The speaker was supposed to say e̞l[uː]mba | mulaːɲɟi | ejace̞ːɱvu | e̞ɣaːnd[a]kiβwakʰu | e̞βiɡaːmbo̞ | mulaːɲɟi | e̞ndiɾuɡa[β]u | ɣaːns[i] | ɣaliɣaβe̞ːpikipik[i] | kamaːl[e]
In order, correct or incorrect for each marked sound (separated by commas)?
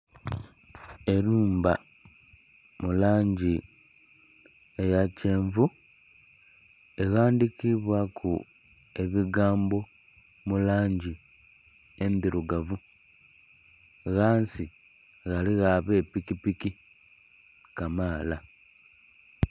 correct, incorrect, incorrect, correct, correct, incorrect